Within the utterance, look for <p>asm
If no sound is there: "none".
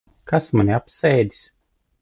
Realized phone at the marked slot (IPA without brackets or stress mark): k